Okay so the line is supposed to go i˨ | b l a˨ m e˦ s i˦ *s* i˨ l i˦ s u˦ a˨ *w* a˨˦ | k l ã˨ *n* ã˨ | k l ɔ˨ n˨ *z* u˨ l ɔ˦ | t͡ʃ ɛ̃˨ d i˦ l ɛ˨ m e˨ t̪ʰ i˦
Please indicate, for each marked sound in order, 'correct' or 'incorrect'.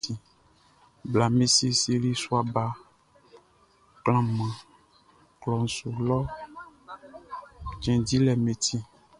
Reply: correct, incorrect: b, incorrect: m, incorrect: s

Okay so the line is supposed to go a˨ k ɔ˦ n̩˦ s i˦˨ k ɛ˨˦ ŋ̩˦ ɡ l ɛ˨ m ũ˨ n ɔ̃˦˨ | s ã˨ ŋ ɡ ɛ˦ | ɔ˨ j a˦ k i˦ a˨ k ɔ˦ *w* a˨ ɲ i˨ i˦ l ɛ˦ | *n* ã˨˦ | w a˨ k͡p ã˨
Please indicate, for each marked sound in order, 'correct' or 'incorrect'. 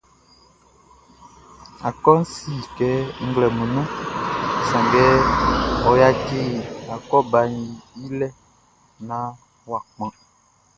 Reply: incorrect: b, correct

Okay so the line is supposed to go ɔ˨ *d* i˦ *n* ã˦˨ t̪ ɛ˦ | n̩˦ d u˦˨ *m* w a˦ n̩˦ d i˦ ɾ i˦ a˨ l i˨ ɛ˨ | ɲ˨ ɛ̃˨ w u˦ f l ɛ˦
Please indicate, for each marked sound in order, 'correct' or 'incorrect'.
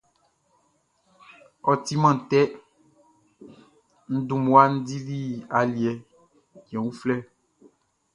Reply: incorrect: t, incorrect: m, correct

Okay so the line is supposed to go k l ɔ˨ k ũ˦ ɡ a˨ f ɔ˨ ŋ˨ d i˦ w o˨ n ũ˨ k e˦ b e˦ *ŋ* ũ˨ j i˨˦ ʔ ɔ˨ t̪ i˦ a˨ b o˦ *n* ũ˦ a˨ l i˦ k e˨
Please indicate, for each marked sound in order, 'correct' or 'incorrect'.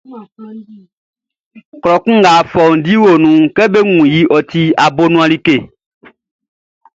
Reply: correct, correct

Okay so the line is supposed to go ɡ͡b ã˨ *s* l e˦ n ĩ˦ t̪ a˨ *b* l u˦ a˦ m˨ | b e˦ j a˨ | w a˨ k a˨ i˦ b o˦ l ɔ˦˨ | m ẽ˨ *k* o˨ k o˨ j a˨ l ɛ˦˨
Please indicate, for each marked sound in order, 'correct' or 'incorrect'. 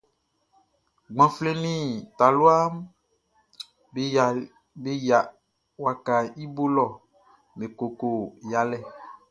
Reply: incorrect: f, incorrect: none, correct

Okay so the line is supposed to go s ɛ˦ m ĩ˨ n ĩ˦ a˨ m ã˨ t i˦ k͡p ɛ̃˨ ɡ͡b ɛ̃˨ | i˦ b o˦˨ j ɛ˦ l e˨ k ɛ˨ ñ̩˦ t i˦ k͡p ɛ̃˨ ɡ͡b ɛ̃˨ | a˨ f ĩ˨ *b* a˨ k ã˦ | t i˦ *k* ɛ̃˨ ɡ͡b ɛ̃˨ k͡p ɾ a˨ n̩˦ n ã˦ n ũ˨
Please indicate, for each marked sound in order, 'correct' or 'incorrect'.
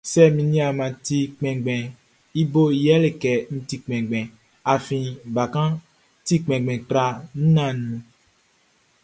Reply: correct, incorrect: k͡p

